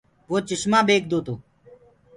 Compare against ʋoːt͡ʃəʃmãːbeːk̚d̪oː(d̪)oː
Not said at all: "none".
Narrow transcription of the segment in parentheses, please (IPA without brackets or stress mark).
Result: t̪